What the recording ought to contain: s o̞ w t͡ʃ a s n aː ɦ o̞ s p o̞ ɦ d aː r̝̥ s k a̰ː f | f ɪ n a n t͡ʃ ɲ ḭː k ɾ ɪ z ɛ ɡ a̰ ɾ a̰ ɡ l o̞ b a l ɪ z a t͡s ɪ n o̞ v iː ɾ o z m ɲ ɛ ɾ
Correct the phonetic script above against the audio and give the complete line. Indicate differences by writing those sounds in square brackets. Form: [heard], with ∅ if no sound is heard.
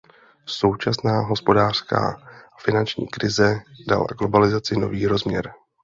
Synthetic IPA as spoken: s o̞ w t͡ʃ a s n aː ɦ o̞ s p o̞ [∅] d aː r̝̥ s k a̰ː [∅] | f ɪ n a n t͡ʃ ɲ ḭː k ɾ ɪ z ɛ [d] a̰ [l] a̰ ɡ l o̞ b a l ɪ z a t͡s ɪ n o̞ v iː ɾ o z m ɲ ɛ ɾ